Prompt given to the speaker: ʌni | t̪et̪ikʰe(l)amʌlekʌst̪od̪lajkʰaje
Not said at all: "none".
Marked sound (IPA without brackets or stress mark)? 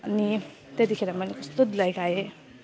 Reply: ɾ